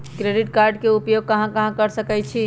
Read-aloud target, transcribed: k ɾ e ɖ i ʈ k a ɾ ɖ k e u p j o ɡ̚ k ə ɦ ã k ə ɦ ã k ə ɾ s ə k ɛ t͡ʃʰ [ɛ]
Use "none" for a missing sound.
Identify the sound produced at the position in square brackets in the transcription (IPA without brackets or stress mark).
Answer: i